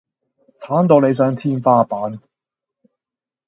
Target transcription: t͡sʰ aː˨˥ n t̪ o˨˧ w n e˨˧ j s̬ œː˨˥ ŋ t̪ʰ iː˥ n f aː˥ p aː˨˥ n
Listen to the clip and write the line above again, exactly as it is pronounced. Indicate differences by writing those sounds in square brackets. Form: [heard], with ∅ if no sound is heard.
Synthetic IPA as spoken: t͡sʰ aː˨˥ n t̪ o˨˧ w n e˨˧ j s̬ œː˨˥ ŋ t̪ʰ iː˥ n f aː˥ p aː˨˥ n